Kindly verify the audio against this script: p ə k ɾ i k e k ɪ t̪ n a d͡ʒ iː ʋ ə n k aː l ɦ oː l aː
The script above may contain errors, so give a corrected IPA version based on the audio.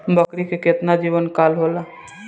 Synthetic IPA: b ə k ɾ i k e k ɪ t̪ n a d͡ʒ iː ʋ ə n k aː l ɦ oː l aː